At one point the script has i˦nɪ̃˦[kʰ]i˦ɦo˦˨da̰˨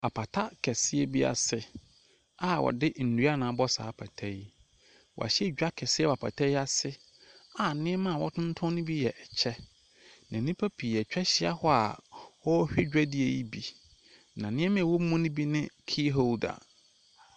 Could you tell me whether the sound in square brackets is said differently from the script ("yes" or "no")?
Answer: no